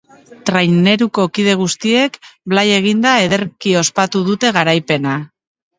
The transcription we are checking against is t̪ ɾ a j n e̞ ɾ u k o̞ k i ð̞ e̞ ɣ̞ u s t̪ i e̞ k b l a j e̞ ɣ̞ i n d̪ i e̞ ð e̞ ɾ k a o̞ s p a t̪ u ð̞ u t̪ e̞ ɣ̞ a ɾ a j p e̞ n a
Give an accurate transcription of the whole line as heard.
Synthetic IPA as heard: t̪ ɾ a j n e̞ ɾ u k o̞ k i ð̞ e̞ ɣ̞ u s t̪ i e̞ k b l a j e̞ ɣ̞ i n d̪ a e̞ ð e̞ ɾ k i o̞ s p a t̪ u ð̞ u t̪ e̞ ɣ̞ a ɾ a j p e̞ n a